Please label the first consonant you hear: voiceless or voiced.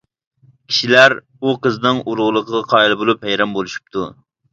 voiceless